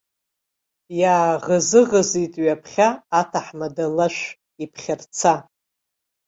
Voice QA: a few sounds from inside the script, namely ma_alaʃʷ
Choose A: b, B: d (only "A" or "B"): B